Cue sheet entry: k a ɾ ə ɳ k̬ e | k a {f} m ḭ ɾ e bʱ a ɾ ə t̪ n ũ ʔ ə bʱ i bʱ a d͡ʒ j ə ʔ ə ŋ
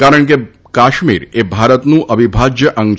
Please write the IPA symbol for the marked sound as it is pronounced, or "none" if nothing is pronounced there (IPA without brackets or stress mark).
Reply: ʃ